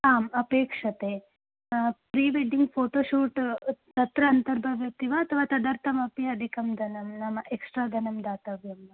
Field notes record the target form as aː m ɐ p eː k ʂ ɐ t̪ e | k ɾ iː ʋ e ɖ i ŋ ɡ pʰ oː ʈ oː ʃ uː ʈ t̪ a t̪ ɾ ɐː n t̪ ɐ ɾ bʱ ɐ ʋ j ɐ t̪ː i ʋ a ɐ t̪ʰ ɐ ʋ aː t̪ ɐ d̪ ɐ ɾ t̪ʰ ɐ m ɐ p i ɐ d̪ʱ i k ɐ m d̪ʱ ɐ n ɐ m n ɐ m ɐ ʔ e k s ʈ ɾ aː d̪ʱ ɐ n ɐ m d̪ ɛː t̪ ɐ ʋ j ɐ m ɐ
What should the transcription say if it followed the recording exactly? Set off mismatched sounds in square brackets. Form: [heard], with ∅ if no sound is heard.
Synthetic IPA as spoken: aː m ɐ p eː k ʂ ɐ t̪ e | [p] ɾ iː ʋ e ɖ i ŋ ɡ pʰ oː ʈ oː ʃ uː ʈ t̪ [ɐ] t̪ ɾ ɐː n t̪ ɐ ɾ bʱ ɐ ʋ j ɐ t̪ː i ʋ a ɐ t̪ʰ ɐ ʋ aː t̪ ɐ d̪ ɐ ɾ t̪ʰ ɐ m ɐ p i ɐ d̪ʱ i k ɐ m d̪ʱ ɐ n ɐ m n ɐ m ɐ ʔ e k s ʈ ɾ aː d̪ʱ ɐ n ɐ m d̪ [aː] t̪ ɐ ʋ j ɐ m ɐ